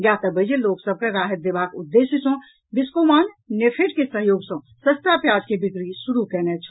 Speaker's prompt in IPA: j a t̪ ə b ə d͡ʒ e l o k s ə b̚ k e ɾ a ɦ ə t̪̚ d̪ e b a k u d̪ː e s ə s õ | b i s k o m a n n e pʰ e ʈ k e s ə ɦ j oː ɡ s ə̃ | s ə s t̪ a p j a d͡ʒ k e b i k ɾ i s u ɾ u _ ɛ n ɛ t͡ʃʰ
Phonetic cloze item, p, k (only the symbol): k